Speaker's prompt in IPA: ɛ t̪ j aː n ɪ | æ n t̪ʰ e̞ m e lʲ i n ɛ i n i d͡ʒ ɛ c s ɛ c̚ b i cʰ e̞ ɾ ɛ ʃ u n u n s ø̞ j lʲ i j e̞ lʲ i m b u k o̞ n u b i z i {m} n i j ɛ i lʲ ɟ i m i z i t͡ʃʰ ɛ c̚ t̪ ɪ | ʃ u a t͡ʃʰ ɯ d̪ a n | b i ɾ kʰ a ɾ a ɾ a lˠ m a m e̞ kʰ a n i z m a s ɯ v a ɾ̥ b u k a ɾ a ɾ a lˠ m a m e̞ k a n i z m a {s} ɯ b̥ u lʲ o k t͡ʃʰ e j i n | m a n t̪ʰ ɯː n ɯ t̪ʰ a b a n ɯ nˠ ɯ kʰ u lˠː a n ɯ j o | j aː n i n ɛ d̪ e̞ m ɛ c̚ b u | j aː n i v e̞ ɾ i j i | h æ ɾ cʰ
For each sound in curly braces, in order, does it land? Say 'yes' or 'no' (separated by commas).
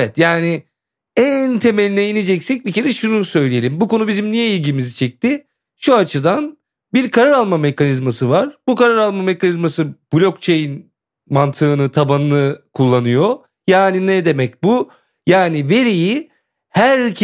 yes, yes